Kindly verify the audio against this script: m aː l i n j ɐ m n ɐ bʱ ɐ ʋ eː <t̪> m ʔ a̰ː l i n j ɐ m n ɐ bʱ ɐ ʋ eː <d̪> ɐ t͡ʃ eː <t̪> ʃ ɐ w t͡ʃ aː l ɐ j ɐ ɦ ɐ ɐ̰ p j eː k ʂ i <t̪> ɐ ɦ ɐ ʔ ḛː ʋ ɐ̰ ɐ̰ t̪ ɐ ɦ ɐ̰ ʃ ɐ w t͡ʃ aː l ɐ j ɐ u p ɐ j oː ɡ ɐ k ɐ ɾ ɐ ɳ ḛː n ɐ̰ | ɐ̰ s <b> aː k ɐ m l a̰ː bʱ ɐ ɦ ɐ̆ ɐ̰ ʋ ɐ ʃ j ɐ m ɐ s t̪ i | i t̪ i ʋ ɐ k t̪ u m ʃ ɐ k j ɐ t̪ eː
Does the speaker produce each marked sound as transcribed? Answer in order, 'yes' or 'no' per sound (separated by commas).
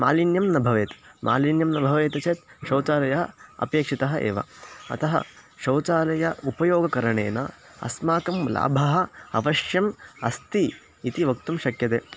yes, no, yes, yes, no